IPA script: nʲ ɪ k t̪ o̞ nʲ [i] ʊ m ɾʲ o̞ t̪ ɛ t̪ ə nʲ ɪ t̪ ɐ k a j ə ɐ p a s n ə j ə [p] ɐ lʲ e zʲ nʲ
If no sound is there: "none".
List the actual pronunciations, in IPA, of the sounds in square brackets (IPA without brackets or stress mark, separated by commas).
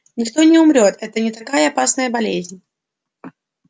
ɪ, b